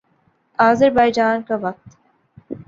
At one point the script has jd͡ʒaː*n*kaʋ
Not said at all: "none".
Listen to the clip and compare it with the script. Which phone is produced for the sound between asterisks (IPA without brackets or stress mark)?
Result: n